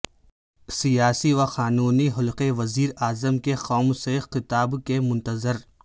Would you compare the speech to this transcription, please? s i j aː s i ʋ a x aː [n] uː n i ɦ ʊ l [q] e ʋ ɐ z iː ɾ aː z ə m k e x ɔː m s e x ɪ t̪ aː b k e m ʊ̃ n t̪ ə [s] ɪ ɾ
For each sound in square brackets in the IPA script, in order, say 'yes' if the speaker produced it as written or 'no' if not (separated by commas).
yes, yes, no